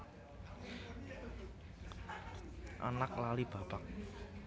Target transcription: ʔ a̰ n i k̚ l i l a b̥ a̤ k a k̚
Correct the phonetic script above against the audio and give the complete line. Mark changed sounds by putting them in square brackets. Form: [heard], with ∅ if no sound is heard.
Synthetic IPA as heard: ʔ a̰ n [a] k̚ l [a] l [i] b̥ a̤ [p] a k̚